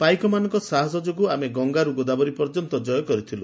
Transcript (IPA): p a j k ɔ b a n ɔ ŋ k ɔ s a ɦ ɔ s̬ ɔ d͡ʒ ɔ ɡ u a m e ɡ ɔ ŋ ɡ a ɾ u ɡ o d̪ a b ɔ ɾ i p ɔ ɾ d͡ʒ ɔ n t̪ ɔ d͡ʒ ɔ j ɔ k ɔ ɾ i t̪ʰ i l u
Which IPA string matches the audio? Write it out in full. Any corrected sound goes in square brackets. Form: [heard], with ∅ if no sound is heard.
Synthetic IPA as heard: p a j k ɔ [m] a n ɔ ŋ k ɔ s a ɦ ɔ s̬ ɔ d͡ʒ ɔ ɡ u a m e ɡ ɔ ŋ ɡ a ɾ u ɡ o d̪ a b ɔ ɾ i p ɔ ɾ d͡ʒ ɔ n t̪ ɔ d͡ʒ ɔ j ɔ k ɔ ɾ i t̪ʰ i l u